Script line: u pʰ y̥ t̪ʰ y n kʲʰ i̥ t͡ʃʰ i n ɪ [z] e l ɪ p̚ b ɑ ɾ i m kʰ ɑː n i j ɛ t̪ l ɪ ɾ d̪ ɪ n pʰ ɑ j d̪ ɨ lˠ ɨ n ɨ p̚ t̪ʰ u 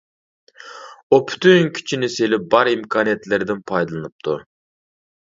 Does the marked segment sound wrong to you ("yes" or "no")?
yes